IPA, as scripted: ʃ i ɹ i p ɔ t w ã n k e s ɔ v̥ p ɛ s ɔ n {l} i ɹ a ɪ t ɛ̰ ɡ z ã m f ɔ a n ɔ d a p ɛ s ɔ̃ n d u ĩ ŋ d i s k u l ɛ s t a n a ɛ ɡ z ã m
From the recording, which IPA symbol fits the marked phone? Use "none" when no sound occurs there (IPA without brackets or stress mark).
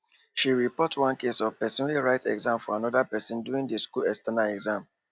l